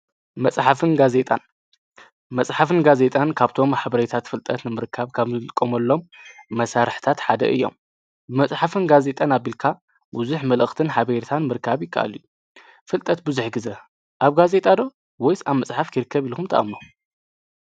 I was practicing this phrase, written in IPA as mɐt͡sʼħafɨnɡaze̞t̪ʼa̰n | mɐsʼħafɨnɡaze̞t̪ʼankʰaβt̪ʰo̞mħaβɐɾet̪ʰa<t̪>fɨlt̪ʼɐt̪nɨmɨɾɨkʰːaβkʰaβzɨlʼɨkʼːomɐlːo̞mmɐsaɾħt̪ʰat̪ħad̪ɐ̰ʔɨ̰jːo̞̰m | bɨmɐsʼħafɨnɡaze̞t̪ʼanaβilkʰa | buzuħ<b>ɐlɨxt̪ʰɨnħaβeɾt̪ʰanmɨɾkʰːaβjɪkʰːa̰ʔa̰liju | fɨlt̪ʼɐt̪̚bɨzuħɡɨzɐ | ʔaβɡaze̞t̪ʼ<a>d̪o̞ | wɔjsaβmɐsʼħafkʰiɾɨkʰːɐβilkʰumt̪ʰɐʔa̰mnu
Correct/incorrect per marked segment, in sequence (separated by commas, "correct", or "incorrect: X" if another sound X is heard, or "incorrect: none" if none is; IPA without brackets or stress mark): correct, incorrect: m, correct